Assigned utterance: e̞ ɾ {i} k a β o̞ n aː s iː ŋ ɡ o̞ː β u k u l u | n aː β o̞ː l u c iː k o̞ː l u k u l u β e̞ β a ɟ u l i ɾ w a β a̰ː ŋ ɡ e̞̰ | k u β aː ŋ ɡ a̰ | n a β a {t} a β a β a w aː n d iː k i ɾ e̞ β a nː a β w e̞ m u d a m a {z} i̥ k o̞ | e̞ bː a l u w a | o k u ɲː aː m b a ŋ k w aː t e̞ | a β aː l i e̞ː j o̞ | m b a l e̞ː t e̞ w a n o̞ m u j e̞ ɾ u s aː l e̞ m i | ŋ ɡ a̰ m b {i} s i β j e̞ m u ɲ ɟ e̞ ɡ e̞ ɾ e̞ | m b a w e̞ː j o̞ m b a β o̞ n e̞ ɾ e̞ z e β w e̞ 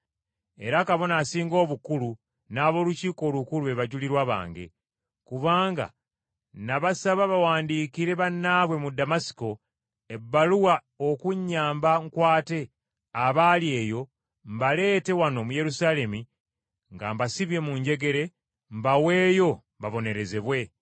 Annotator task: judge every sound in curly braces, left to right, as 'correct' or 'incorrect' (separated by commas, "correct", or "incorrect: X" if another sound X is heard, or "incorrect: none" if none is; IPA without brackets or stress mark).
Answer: incorrect: a, incorrect: s, incorrect: s, incorrect: a